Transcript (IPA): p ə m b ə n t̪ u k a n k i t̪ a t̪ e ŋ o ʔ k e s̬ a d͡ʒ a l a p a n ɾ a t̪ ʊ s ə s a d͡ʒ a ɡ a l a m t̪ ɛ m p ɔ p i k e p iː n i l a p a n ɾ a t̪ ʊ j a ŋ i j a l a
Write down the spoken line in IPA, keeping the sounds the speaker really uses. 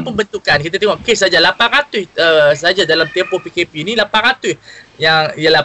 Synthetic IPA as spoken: p ə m b ə n t̪ u k a n k i t̪ a t̪ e ŋ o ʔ k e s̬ a d͡ʒ a l a p a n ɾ a t̪ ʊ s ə s a d͡ʒ a d a l a m t̪ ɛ m p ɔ p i k e p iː n i l a p a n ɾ a t̪ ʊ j a ŋ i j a l a